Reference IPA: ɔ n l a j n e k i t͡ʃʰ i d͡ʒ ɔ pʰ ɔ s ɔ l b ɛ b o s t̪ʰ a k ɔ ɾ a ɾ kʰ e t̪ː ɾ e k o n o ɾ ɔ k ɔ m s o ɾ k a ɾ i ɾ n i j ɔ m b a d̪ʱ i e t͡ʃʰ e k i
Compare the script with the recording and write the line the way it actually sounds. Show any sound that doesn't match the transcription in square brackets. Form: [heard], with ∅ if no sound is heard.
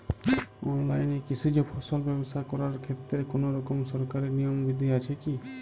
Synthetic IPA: ɔ n l a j n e k i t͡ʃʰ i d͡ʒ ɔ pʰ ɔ s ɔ l b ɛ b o s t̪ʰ a k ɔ ɾ a ɾ kʰ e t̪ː ɾ e k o n o ɾ ɔ k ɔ m s [ɔ] ɾ k a ɾ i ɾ n i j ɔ m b [i] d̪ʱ i [a] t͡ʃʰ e k i